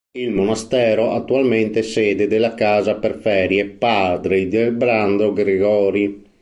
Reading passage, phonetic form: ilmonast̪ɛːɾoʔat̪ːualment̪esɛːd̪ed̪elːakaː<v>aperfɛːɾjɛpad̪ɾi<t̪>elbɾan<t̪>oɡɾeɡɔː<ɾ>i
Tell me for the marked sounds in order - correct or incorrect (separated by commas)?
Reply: incorrect, incorrect, incorrect, correct